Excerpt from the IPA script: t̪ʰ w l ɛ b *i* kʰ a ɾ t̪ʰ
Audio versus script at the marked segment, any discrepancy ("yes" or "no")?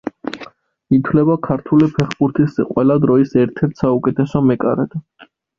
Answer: yes